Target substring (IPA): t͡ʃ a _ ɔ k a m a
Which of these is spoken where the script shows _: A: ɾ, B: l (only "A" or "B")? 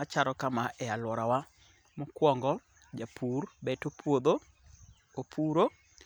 A